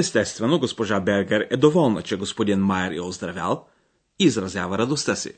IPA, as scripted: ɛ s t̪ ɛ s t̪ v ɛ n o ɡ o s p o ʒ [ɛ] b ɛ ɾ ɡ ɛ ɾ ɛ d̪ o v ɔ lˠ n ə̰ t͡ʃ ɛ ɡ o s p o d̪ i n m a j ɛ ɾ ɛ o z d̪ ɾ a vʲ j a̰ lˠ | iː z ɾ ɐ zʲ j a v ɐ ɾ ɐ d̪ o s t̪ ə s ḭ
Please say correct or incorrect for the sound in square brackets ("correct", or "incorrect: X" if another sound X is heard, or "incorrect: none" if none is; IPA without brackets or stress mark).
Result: incorrect: a